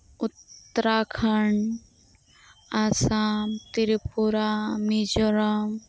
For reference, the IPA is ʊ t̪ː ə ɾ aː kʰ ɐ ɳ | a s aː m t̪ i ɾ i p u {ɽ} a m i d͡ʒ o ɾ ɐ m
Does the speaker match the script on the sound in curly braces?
no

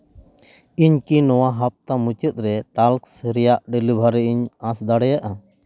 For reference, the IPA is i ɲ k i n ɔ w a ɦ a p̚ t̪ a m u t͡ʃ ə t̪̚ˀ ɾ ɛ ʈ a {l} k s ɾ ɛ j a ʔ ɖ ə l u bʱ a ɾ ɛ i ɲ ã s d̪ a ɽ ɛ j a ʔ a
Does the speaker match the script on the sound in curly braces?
yes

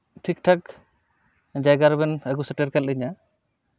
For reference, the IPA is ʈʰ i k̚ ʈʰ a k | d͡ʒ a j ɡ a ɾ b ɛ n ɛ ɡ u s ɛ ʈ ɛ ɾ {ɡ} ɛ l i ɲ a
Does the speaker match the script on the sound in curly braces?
no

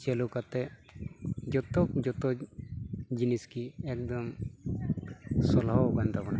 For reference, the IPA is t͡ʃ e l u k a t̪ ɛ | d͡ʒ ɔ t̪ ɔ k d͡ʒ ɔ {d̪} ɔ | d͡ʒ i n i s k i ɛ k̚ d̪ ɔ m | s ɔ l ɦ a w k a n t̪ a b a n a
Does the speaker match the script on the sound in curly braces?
no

